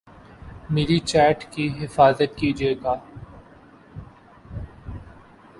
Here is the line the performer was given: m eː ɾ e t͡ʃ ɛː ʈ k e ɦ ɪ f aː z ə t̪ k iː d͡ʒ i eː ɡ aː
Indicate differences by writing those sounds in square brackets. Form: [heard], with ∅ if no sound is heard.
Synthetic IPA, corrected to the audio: m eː ɾ [i] t͡ʃ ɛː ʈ k [i] ɦ ɪ f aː z ə t̪ k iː d͡ʒ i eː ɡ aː